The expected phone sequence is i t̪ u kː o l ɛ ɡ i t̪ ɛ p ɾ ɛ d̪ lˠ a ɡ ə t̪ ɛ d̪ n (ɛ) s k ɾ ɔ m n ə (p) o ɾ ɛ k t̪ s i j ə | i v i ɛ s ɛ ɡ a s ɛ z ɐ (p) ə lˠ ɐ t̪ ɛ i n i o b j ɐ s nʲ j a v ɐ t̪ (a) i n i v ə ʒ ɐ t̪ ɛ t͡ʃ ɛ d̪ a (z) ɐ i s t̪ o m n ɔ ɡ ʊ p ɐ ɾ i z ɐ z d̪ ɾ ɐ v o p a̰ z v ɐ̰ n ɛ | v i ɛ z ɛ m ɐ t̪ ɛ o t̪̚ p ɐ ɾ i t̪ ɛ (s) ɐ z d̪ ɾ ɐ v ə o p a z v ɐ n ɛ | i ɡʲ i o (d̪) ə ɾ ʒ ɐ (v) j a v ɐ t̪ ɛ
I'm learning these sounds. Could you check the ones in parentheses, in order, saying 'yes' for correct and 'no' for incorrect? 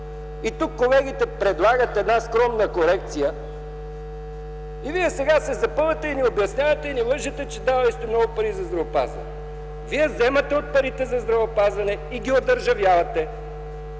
no, no, yes, no, no, no, yes, yes

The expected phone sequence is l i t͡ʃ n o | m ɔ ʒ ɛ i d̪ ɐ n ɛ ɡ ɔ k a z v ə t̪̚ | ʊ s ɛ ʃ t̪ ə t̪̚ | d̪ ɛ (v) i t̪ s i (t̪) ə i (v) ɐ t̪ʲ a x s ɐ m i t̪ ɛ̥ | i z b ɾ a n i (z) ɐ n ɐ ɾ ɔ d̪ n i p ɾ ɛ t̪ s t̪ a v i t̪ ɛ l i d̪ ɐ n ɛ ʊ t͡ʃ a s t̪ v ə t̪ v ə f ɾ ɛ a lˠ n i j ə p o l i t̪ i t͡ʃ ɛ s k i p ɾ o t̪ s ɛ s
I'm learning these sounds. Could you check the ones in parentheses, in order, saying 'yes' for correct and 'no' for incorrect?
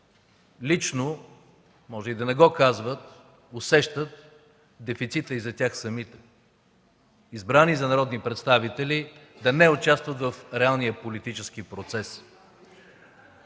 no, yes, no, yes

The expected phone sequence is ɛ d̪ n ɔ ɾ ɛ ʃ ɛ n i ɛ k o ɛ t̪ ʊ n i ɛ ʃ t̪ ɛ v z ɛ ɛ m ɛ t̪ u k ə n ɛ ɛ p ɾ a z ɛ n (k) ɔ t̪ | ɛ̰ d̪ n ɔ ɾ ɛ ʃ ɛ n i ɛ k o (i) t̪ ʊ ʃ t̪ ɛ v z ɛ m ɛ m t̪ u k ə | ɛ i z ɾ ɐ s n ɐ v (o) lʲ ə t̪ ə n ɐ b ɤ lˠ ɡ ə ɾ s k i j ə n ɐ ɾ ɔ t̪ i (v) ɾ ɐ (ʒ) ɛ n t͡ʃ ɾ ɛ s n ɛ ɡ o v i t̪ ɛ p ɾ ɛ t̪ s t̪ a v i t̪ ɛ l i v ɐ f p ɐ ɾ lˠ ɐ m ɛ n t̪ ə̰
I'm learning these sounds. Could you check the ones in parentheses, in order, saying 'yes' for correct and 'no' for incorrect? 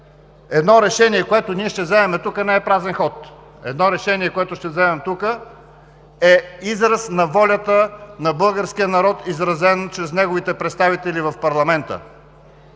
no, no, no, no, no

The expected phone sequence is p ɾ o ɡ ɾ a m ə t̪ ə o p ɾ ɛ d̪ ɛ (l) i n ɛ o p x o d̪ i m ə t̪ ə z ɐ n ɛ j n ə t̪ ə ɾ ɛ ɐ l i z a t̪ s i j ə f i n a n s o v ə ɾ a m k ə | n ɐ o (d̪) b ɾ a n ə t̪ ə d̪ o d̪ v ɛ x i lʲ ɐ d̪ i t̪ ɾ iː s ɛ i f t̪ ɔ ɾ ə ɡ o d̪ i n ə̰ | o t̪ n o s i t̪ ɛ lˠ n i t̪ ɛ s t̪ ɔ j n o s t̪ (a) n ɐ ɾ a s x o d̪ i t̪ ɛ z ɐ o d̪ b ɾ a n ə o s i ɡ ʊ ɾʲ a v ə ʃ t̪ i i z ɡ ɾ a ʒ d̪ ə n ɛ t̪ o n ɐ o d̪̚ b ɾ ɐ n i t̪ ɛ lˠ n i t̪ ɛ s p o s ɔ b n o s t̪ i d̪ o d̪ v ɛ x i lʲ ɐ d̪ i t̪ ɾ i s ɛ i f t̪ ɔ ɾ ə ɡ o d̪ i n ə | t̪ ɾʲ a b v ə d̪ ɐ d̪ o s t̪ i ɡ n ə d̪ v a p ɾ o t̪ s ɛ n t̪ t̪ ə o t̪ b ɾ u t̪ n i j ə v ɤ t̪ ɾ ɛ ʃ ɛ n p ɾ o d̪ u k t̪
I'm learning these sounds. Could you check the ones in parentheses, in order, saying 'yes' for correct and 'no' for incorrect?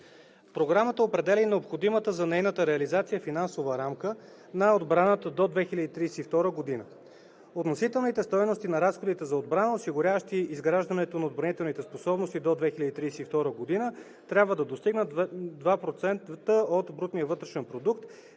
yes, yes, no

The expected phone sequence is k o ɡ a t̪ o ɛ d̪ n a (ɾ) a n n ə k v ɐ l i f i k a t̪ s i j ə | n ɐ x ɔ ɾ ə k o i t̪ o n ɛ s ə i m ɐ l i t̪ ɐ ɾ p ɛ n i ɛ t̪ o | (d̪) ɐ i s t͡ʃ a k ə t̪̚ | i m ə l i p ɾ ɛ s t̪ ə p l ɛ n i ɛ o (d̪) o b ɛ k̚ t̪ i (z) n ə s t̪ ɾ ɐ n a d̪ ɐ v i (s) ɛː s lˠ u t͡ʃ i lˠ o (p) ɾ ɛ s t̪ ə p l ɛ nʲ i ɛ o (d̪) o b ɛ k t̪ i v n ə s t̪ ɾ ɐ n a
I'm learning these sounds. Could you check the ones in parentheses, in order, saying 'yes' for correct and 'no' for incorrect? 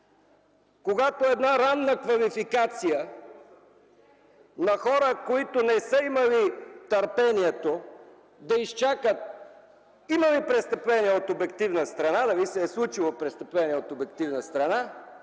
yes, yes, no, no, yes, yes, no

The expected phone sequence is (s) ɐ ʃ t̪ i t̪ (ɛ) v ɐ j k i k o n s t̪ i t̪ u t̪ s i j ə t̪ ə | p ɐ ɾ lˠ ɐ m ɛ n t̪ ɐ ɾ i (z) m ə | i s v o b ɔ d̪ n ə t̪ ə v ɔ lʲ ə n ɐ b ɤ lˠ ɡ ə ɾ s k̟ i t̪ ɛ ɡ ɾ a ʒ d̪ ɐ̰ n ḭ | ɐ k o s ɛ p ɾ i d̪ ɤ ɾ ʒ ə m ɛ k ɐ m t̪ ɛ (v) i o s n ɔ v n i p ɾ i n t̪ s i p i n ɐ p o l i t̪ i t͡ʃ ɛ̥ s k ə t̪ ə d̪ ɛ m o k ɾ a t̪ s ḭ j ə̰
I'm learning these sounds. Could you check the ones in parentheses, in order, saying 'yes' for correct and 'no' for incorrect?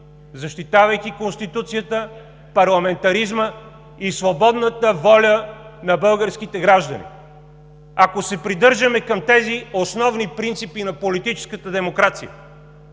no, no, yes, no

